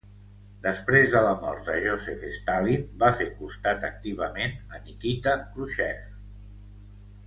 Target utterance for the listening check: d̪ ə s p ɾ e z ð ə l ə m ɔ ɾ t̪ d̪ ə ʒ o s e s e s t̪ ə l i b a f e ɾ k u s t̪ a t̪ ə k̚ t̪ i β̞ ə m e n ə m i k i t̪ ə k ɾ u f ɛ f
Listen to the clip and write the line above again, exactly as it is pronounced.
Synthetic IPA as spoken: d̪ ə s p ɾ e z ð ə l ə m ɔ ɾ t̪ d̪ ə ʒ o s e f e s t̪ a l i b a f e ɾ k u s t̪ a t̪ ə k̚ t̪ i β̞ ə m e n ə n i k i t̪ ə k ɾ u ʃ ɛ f